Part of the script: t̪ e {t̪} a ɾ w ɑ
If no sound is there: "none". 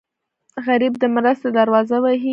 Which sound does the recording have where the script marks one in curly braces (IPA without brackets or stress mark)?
d̪